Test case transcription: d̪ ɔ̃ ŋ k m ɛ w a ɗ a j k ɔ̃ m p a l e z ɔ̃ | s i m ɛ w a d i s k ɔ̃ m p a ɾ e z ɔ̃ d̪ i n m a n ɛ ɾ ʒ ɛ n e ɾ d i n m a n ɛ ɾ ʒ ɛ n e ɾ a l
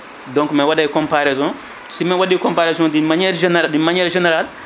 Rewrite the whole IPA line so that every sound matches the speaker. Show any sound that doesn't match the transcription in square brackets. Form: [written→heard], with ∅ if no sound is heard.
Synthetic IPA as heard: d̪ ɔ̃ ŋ k m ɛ w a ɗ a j k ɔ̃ m p a [l→ɾ] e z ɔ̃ | s i m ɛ w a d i [s→∅] k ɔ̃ m p a ɾ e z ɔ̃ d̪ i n m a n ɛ ɾ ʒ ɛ n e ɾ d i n m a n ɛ ɾ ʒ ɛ n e ɾ a l